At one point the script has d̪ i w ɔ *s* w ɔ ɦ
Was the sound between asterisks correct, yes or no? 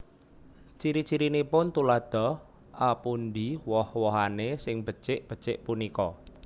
no